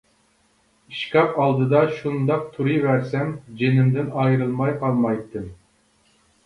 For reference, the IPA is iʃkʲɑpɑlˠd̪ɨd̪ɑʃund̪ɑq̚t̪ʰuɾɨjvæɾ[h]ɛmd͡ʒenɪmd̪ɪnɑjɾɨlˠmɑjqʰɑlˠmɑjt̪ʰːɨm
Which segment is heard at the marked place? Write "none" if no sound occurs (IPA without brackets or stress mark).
s